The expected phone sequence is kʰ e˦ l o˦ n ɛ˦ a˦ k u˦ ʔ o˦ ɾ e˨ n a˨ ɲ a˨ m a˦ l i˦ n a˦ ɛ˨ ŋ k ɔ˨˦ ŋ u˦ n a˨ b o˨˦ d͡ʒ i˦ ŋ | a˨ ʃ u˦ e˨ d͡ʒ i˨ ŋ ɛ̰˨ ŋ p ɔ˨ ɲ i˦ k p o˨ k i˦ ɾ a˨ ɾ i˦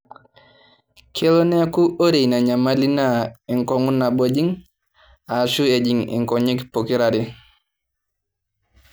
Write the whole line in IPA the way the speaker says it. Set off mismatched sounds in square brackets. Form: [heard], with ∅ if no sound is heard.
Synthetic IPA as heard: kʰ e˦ l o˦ n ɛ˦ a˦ k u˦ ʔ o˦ ɾ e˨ n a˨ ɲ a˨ m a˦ l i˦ n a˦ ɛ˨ ŋ k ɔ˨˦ ŋ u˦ n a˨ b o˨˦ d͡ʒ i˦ ŋ | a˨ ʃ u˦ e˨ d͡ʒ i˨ ŋ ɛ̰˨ ŋ [k] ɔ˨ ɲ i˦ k p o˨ k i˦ ɾ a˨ ɾ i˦